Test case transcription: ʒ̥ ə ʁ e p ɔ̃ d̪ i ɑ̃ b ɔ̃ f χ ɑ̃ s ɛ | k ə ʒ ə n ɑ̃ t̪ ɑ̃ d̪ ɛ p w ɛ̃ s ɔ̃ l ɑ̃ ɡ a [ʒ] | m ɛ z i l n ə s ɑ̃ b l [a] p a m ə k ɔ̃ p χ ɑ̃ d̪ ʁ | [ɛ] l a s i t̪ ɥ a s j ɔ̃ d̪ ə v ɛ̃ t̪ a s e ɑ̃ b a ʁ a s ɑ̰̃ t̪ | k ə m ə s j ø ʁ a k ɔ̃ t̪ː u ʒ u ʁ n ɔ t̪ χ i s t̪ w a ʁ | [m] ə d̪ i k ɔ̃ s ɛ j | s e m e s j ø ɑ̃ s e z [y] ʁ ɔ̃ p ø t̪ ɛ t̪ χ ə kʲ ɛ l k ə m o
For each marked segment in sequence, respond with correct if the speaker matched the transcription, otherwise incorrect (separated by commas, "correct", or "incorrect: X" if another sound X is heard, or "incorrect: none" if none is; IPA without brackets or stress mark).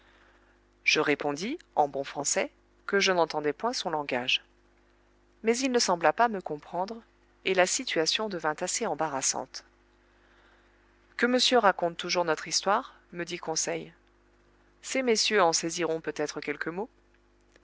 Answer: correct, correct, incorrect: e, correct, incorrect: i